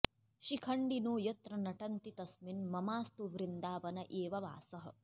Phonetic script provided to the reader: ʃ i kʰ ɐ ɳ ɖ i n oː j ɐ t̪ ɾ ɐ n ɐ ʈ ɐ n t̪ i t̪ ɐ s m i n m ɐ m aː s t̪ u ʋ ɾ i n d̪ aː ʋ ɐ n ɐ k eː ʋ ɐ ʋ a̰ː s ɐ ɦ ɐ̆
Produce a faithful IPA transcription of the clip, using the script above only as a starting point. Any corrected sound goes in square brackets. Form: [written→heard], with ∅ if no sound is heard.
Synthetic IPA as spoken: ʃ i kʰ ɐ ɳ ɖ i n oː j ɐ t̪ ɾ ɐ n ɐ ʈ ɐ n t̪ i t̪ ɐ s m i n m ɐ m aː s t̪ u ʋ ɾ i n d̪ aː ʋ ɐ n ɐ [k→ʔ] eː ʋ ɐ ʋ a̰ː s ɐ ɦ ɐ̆